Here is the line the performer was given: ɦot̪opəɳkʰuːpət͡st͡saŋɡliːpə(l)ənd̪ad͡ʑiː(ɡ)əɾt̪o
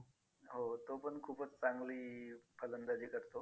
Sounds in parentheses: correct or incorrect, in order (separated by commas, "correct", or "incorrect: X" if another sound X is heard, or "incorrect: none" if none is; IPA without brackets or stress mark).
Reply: correct, incorrect: k